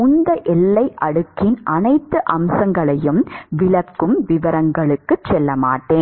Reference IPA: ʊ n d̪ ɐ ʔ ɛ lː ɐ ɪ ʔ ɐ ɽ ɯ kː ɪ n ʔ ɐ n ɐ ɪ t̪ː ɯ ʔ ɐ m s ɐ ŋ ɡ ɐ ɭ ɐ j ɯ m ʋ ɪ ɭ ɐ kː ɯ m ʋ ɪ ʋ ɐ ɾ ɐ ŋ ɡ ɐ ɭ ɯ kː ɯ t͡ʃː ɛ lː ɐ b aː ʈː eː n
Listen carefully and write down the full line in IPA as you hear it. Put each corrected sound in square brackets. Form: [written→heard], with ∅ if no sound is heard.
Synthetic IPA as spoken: ʊ n d̪ ɐ ʔ ɛ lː ɐ ɪ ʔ ɐ ɽ ɯ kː ɪ n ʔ ɐ n ɐ ɪ t̪ː ɯ ʔ ɐ m s ɐ ŋ ɡ ɐ ɭ ɐ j ɯ m ʋ ɪ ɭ ɐ kː ɯ m ʋ ɪ ʋ ɐ ɾ ɐ ŋ ɡ ɐ ɭ ɯ kː ɯ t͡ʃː ɛ lː ɐ [b→m] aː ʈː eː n

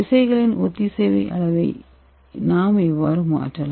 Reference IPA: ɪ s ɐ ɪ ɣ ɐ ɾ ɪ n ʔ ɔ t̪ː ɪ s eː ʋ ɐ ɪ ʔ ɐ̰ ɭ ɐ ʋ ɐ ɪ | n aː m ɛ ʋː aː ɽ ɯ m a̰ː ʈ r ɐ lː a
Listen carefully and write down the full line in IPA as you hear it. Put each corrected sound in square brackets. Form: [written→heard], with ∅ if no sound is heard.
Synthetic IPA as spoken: ɪ s ɐ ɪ ɣ ɐ [ɾ→ɭ] ɪ n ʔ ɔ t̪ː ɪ s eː ʋ ɐ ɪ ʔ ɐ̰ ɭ ɐ ʋ ɐ ɪ | n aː m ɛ ʋː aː [ɽ→ɾ] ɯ m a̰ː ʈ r ɐ [lː→l] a

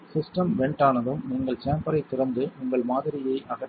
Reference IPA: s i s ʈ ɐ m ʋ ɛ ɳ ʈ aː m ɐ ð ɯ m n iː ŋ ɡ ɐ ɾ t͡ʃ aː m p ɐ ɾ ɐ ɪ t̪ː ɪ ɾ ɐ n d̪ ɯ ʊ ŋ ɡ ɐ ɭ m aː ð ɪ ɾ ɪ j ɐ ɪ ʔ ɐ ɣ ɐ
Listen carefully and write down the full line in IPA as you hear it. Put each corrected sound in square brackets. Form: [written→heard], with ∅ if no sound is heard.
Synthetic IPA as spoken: s [i→ɪ] s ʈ ɐ m ʋ ɛ ɳ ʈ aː [m→n] ɐ ð ɯ m n iː ŋ ɡ ɐ [ɾ→ɭ] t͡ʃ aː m p ɐ ɾ ɐ ɪ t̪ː ɪ ɾ ɐ n d̪ ɯ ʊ ŋ ɡ ɐ ɭ m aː ð ɪ ɾ ɪ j ɐ ɪ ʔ ɐ ɣ ɐ

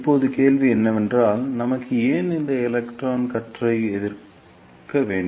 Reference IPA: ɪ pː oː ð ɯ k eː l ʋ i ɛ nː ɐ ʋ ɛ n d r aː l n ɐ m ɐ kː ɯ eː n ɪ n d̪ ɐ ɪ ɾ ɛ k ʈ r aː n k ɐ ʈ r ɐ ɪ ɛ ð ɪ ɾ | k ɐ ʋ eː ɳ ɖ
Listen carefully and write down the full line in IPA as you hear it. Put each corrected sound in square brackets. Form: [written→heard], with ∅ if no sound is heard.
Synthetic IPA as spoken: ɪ pː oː ð ɯ k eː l ʋ i ɛ nː ɐ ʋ ɛ n d r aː l n ɐ m ɐ kː ɯ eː n ɪ n d̪ ɐ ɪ [ɾ→l] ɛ k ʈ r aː n k ɐ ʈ r ɐ ɪ ɛ ð ɪ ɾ | k ɐ ʋ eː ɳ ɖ

